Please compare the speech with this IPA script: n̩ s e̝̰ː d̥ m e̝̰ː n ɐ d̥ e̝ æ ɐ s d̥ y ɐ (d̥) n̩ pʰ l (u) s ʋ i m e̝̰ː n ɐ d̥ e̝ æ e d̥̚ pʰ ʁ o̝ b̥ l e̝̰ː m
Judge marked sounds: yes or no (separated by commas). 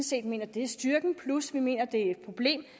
no, yes